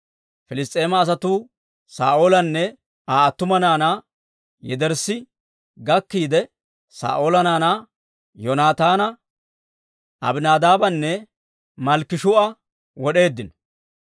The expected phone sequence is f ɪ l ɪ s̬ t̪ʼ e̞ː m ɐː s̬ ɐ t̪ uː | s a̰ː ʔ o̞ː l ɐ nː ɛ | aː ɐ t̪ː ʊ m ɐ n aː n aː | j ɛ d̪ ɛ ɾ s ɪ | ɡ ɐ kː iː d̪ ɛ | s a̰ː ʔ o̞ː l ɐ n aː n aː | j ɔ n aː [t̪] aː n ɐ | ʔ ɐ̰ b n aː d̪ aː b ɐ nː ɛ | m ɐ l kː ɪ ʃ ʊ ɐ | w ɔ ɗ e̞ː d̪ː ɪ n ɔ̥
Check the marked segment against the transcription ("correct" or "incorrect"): correct